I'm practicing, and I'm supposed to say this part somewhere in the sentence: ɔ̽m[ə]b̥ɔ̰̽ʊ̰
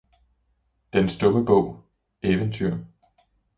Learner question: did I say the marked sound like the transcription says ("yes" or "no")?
yes